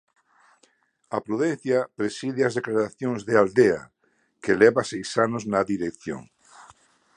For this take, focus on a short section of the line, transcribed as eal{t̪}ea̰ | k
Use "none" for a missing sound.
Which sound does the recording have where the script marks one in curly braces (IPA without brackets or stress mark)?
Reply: d̪